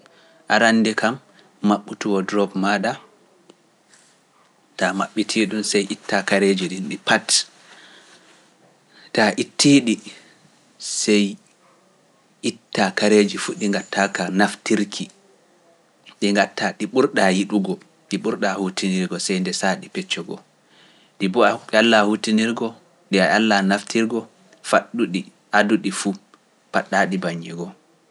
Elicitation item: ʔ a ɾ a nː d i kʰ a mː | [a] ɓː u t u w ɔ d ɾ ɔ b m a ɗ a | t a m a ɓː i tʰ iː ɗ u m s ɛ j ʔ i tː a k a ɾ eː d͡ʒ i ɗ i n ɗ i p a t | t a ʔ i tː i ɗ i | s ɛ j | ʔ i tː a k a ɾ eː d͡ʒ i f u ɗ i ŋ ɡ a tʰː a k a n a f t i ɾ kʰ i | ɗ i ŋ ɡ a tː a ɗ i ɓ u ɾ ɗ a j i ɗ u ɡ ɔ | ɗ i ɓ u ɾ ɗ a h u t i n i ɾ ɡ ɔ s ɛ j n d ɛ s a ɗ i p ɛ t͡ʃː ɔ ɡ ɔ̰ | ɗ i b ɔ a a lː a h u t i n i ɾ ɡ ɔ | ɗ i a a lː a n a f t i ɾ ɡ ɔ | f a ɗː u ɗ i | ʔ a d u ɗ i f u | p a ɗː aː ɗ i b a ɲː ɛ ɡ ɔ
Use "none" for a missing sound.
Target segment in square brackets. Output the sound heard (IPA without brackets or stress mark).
a